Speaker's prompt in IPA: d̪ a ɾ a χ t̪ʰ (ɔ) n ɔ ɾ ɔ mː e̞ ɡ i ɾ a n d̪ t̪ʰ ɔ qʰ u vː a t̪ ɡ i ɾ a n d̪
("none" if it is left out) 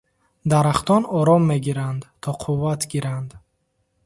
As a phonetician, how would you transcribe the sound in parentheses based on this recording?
ɔ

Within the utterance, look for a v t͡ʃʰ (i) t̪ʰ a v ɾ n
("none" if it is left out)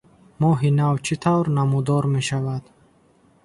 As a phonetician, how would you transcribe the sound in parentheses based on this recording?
i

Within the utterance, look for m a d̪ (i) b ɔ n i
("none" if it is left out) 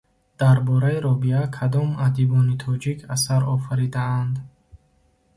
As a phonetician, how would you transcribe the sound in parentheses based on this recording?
i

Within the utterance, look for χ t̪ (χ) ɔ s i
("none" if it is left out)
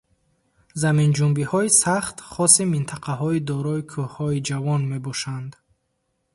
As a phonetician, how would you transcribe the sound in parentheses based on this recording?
χ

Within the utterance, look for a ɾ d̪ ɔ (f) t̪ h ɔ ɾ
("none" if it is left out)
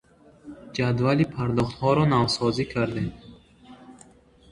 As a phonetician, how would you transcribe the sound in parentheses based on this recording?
χ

